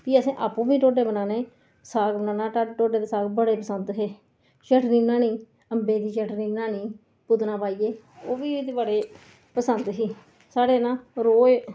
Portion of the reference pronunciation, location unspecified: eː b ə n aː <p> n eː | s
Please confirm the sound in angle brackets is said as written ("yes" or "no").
no